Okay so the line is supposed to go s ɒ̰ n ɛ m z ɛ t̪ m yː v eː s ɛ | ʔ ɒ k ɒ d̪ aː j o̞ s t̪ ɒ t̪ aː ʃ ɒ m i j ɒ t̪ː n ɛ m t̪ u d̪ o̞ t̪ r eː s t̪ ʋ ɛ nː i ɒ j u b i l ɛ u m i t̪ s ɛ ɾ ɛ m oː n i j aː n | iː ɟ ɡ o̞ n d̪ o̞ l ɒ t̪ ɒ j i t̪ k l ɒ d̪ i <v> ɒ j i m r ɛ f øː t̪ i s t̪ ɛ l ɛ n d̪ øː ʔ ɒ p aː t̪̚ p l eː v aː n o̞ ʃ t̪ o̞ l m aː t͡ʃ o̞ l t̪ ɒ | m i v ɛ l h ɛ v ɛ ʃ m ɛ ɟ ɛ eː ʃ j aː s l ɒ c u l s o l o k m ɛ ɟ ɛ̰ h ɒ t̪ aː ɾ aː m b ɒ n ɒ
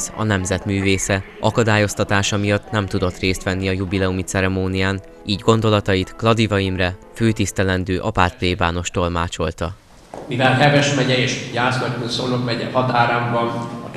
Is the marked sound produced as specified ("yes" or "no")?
yes